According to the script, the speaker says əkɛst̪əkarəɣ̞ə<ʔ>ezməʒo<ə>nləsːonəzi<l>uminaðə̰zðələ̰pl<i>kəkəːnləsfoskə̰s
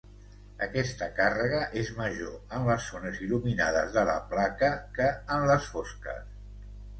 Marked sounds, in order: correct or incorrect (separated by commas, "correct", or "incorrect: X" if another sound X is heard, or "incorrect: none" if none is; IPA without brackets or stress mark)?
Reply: correct, correct, correct, incorrect: a